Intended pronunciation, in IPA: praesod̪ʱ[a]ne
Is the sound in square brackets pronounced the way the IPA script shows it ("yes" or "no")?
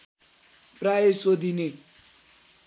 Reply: no